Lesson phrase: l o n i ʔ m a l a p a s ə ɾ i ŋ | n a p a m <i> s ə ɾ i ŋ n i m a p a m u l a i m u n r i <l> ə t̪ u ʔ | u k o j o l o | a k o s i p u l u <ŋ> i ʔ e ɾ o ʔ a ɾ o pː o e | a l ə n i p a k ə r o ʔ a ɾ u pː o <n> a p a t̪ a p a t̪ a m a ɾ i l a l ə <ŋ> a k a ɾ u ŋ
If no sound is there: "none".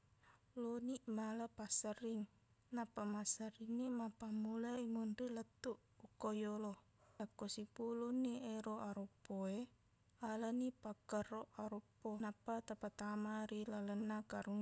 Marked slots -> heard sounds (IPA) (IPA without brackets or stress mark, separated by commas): a, l, n, n, n